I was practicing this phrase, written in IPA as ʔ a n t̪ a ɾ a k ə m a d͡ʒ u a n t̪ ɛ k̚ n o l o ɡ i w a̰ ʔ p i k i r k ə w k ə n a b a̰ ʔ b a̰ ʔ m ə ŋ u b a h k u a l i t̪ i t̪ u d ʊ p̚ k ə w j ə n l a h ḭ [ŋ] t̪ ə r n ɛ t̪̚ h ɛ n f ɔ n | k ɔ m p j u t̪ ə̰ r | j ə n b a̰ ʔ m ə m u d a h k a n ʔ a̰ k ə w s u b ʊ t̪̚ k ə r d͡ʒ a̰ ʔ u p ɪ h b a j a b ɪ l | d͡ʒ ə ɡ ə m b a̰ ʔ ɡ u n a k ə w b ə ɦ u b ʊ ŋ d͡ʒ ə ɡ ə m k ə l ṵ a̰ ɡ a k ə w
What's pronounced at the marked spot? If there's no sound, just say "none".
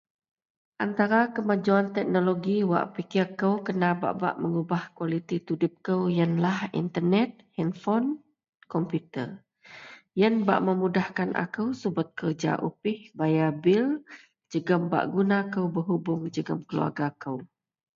n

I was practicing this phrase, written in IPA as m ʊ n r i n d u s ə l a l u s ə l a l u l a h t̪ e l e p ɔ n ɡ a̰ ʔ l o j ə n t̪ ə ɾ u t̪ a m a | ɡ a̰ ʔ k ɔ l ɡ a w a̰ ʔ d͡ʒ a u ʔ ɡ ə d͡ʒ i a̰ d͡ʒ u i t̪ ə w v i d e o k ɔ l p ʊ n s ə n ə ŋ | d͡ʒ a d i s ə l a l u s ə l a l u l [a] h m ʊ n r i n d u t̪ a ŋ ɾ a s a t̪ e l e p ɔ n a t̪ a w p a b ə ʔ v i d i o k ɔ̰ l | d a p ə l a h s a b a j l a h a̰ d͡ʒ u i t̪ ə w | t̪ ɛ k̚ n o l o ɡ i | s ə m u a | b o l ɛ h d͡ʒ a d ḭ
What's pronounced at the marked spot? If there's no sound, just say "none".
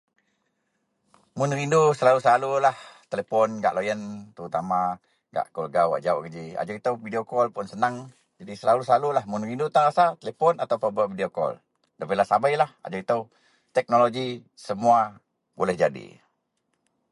a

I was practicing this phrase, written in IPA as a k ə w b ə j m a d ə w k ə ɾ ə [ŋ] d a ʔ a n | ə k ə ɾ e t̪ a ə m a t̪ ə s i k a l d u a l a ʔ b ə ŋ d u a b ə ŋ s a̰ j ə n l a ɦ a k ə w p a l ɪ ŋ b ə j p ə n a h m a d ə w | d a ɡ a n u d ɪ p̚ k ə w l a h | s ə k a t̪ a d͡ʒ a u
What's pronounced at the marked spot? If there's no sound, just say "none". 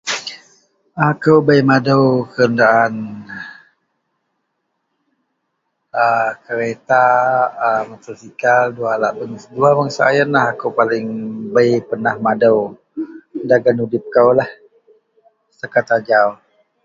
n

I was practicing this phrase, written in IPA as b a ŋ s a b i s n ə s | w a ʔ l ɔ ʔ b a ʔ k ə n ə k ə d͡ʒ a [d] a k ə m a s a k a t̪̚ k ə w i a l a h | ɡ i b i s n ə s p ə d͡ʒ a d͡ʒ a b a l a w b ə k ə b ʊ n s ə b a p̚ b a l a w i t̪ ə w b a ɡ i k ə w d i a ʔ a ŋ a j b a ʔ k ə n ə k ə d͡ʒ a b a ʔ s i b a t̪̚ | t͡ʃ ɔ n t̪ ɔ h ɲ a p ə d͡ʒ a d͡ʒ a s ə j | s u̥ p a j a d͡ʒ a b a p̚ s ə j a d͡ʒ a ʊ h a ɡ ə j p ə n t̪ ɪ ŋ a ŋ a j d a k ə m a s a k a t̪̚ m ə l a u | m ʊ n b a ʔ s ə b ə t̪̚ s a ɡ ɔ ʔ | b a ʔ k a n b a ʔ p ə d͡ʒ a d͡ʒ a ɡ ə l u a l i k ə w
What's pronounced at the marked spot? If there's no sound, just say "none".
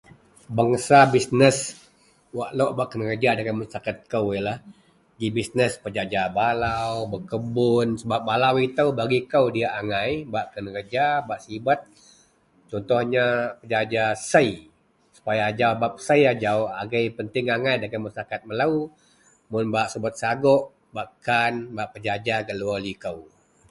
d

